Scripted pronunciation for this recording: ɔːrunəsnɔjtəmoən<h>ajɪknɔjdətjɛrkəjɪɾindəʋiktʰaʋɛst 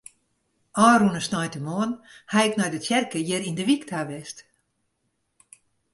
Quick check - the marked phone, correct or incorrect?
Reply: correct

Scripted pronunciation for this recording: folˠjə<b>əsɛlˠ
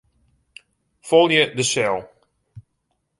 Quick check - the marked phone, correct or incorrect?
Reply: incorrect: d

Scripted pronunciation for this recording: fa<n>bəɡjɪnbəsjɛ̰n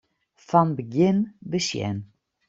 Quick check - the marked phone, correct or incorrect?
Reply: correct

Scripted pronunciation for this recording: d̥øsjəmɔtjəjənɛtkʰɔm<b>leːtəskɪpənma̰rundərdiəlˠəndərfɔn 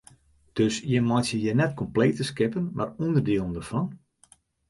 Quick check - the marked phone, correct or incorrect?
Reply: incorrect: p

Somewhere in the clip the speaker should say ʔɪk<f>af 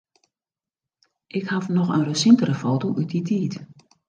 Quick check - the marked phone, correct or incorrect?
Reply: incorrect: h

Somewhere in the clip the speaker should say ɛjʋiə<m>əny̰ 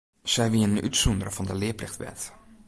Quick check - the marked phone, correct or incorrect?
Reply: incorrect: n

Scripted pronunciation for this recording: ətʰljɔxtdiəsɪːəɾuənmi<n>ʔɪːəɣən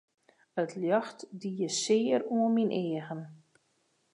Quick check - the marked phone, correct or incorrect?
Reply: correct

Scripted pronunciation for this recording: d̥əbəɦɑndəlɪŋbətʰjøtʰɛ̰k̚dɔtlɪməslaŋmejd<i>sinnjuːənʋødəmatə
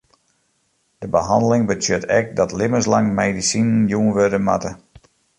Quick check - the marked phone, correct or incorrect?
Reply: correct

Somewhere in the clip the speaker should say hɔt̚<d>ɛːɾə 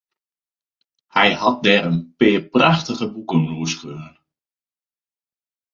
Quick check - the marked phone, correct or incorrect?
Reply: correct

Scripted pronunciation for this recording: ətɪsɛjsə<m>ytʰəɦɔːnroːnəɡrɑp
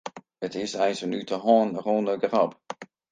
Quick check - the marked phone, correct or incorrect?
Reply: incorrect: n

